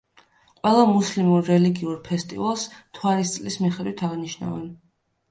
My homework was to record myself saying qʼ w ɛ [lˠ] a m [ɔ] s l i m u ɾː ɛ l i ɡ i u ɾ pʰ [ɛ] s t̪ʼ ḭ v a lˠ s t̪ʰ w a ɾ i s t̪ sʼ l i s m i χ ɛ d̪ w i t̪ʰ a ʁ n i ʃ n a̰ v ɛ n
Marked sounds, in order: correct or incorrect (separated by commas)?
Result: correct, incorrect, correct